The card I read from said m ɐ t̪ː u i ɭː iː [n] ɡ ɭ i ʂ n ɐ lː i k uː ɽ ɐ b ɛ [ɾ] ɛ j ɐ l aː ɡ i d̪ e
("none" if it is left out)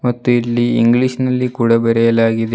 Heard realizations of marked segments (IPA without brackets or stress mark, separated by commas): ŋ, ɾ